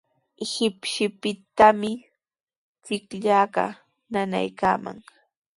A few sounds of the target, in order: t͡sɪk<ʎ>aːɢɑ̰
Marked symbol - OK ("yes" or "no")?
yes